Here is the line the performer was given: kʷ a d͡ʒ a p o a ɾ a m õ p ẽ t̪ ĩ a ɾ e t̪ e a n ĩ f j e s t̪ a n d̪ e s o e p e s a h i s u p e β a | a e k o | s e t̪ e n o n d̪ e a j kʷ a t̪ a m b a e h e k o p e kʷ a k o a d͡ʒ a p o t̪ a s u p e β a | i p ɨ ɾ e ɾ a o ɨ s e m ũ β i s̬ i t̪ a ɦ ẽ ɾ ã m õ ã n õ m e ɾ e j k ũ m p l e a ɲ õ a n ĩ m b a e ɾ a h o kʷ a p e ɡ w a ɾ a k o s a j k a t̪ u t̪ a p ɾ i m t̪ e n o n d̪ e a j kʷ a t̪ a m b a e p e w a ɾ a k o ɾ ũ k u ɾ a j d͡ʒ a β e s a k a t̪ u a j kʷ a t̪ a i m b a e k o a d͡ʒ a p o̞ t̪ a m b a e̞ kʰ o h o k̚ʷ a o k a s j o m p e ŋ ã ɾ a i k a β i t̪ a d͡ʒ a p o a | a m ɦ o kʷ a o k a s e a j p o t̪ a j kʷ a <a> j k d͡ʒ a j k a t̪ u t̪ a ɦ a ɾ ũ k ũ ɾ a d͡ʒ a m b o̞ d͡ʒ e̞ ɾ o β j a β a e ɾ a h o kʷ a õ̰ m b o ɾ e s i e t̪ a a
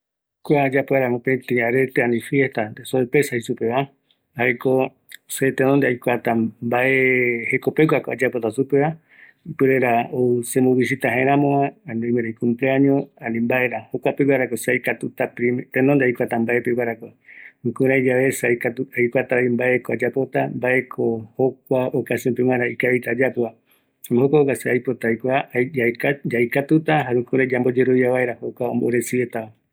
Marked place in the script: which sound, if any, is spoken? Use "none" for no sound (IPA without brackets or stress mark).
a